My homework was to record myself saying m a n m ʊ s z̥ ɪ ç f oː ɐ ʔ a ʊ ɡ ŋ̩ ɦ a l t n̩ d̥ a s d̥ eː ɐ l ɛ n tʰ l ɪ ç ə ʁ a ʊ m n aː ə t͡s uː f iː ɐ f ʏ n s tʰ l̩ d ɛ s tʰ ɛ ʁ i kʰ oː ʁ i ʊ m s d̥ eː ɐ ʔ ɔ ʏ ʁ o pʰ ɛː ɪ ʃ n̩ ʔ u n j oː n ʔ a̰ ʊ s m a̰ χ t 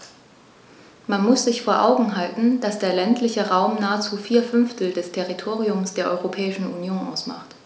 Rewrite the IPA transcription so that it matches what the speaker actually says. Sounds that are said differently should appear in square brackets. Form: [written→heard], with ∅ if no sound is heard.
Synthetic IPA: m a n m ʊ s z̥ ɪ ç f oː ɐ ʔ a ʊ ɡ ŋ̩ ɦ a l t n̩ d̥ a s d̥ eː ɐ l ɛ n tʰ l ɪ ç ə ʁ a ʊ m n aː ə t͡s uː f iː ɐ f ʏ n [s→f] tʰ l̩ d ɛ s tʰ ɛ ʁ i [kʰ→tʰ] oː ʁ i ʊ m s d̥ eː ɐ ʔ ɔ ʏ ʁ o pʰ ɛː ɪ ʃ n̩ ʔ u n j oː n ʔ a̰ ʊ s m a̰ χ t

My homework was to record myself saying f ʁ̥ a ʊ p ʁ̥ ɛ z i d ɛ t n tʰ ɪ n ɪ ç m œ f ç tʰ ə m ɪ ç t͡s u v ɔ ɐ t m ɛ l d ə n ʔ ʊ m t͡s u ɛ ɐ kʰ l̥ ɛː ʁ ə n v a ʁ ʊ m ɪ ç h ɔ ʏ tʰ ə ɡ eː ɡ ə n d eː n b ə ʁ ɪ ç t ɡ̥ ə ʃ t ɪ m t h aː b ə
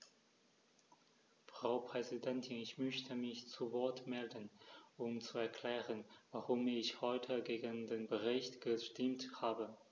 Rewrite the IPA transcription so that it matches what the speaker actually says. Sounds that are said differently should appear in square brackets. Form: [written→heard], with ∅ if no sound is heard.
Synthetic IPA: f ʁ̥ a ʊ p ʁ̥ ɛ z i d ɛ [t→∅] n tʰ ɪ n ɪ ç m œ [f→∅] ç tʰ ə m ɪ ç t͡s u v ɔ ɐ t m ɛ l d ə n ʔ ʊ m t͡s u ɛ ɐ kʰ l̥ ɛː ʁ ə n v a ʁ ʊ m ɪ ç h ɔ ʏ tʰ ə ɡ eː ɡ ə n d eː n b ə ʁ ɪ ç t ɡ̥ ə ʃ t ɪ m t h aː b ə

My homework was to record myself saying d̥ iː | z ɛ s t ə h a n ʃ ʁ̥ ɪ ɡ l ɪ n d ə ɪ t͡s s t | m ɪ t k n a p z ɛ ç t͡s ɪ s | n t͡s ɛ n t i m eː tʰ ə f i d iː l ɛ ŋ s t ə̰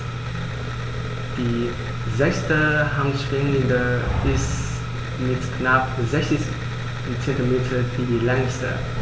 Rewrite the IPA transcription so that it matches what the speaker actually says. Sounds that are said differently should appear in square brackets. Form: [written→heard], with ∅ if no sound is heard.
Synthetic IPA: d̥ iː | z ɛ s t ə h a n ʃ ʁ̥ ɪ [ɡ→ŋ] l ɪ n d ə ɪ [t͡s→∅] s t | m ɪ t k n a p z ɛ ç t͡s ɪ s | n t͡s ɛ n t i m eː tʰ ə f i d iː l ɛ ŋ s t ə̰

